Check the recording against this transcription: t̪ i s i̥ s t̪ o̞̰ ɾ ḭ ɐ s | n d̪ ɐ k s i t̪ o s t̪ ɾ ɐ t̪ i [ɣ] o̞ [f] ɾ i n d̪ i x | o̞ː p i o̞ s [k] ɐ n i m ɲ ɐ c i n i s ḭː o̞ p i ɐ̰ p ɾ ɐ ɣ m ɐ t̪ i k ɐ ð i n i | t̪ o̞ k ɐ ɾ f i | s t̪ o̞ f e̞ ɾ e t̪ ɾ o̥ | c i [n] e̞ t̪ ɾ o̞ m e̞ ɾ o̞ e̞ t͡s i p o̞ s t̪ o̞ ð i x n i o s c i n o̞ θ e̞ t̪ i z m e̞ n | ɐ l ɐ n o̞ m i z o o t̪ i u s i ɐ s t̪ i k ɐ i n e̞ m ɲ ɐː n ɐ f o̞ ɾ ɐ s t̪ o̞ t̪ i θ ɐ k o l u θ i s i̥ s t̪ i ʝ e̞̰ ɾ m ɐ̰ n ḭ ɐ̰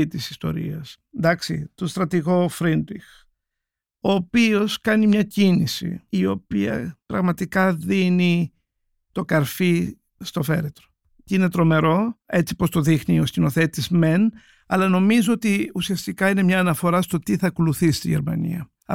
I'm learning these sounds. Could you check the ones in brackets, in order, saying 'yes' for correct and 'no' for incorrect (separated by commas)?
yes, yes, yes, yes